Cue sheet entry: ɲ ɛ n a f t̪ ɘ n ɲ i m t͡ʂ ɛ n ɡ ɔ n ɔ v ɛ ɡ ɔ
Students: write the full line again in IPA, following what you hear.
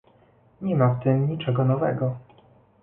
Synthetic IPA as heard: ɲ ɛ m a f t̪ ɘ m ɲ i t͡ʂ ɛ ɡ ɔ n ɔ v ɛ ɡ ɔ